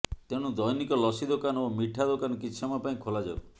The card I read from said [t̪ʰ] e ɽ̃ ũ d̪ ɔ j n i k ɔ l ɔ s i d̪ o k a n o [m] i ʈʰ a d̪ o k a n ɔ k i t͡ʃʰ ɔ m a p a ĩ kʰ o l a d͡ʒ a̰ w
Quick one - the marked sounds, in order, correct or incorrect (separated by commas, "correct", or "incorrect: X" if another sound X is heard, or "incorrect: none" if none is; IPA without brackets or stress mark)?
incorrect: t̪, correct